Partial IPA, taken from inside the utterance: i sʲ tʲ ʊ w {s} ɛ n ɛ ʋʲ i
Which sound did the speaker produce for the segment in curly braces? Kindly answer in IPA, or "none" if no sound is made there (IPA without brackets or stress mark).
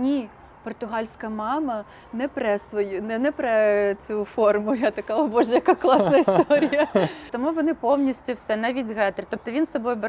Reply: s